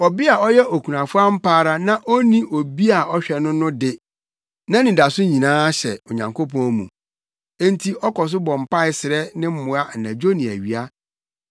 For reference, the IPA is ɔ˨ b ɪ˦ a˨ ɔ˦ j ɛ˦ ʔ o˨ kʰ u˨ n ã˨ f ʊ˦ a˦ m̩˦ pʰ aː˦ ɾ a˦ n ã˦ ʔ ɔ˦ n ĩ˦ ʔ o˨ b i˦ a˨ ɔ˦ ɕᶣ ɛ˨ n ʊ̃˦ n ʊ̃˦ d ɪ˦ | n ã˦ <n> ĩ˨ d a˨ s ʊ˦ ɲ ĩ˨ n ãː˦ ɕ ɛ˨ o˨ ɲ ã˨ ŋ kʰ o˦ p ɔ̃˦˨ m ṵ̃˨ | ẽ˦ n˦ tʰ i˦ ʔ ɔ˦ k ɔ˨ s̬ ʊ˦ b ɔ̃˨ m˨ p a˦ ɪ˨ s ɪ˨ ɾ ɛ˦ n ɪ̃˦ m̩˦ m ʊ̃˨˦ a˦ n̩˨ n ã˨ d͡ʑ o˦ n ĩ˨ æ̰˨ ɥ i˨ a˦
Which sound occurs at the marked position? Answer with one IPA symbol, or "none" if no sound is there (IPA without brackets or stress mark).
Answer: n